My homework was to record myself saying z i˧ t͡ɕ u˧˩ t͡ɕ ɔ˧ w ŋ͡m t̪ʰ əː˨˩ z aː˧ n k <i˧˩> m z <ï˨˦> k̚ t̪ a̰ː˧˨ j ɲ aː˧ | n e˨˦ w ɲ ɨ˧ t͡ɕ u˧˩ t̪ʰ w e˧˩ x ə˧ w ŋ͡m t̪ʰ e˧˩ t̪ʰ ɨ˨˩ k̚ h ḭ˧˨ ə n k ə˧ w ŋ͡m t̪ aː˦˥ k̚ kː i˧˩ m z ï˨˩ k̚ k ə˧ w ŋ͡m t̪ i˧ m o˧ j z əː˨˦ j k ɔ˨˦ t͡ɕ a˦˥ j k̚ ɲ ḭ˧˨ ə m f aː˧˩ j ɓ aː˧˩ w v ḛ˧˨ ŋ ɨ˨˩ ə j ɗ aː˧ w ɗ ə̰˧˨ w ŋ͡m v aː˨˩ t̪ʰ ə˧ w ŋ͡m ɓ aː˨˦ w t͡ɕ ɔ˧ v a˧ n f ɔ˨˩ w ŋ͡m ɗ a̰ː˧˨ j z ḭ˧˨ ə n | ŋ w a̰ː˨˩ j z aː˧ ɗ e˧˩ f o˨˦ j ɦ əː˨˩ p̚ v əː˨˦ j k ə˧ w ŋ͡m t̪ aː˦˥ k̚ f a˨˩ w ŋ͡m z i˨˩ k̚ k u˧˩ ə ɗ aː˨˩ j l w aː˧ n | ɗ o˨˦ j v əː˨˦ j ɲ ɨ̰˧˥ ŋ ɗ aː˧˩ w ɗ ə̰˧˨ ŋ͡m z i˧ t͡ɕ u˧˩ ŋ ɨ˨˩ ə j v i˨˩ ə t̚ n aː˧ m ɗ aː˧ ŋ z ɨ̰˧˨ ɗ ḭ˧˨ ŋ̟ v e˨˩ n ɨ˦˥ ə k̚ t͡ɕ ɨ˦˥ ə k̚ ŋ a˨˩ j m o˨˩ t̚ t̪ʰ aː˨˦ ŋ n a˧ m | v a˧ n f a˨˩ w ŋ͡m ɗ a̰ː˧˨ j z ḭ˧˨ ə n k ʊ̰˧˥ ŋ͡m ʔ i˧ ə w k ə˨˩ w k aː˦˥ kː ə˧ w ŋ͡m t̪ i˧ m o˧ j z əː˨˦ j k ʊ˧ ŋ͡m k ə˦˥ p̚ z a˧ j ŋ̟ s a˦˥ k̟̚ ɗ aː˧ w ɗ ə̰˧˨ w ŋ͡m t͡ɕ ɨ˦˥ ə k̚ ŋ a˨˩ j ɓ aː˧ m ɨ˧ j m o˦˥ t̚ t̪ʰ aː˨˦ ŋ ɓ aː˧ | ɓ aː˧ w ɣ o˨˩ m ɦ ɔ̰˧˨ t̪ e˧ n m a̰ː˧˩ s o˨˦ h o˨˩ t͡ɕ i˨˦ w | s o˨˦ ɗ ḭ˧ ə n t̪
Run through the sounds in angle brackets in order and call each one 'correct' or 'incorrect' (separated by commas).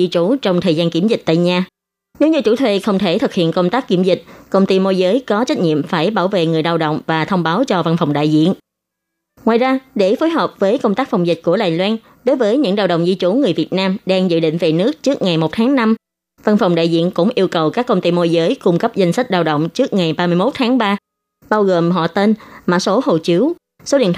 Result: correct, incorrect